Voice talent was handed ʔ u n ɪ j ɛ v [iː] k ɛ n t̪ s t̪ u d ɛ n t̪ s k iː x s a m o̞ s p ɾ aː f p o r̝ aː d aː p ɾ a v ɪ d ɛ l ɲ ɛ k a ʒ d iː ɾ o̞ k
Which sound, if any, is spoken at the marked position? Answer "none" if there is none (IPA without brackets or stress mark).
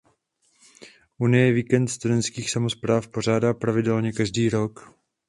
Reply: iː